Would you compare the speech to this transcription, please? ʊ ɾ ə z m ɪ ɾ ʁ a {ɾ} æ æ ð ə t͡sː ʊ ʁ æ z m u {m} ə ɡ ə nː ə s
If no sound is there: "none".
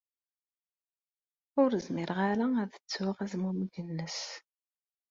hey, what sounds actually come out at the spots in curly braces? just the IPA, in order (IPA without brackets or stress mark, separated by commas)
ɾ, m